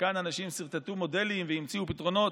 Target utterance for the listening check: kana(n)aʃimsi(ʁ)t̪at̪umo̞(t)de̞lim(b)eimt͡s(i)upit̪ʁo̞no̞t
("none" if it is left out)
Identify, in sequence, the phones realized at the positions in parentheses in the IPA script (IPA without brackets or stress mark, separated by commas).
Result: n, ʁ, none, v, i